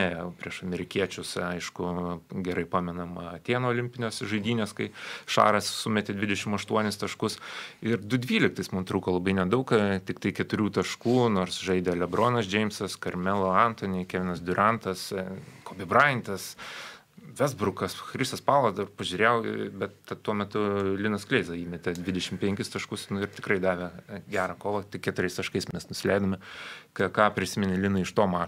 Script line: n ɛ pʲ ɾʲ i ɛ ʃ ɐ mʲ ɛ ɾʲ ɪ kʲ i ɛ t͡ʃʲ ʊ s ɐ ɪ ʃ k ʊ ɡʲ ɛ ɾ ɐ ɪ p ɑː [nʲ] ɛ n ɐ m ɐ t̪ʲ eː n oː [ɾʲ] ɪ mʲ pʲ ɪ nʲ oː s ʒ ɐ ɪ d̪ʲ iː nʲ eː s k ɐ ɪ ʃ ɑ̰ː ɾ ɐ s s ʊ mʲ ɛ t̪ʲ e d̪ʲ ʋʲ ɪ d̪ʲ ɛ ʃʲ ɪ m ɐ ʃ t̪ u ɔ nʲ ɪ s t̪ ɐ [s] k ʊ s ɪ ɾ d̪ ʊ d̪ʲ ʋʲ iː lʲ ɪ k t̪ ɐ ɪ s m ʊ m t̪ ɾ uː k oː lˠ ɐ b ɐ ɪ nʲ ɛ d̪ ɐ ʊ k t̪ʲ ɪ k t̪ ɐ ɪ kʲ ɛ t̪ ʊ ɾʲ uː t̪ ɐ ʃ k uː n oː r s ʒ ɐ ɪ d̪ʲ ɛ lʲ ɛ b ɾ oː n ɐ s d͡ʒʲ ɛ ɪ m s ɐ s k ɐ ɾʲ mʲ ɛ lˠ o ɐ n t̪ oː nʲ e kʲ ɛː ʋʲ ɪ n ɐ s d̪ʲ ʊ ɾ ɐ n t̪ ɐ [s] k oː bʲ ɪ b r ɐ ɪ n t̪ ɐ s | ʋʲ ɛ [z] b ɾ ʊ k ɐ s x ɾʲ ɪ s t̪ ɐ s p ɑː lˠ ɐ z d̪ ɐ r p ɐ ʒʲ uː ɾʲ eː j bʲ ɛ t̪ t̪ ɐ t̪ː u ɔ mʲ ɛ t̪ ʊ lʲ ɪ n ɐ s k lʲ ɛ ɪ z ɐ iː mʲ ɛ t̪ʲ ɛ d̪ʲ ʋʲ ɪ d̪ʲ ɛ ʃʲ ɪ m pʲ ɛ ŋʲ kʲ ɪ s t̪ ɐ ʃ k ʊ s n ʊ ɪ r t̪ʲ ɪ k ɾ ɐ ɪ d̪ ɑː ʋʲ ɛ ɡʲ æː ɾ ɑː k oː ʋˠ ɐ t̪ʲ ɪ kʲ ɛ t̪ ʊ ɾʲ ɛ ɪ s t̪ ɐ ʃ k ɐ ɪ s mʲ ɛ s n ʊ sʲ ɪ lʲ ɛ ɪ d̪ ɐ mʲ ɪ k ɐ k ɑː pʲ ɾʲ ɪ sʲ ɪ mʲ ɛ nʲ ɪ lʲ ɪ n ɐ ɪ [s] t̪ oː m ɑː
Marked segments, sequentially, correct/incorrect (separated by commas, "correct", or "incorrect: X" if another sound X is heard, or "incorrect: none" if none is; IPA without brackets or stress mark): incorrect: mʲ, incorrect: lʲ, incorrect: ʃ, correct, correct, incorrect: ʃ